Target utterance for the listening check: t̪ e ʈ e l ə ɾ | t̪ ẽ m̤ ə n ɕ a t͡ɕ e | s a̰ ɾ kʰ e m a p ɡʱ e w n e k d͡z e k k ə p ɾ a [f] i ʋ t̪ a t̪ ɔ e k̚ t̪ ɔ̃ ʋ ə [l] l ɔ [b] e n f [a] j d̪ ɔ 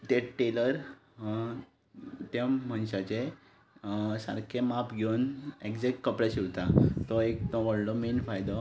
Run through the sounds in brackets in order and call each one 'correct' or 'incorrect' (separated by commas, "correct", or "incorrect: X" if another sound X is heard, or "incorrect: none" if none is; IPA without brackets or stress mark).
incorrect: ɕ, incorrect: ɽ, incorrect: m, correct